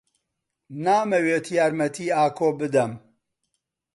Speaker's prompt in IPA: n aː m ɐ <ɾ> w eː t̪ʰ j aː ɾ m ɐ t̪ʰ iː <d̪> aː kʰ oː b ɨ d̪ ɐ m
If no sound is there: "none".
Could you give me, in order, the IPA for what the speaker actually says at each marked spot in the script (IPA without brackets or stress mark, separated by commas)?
none, none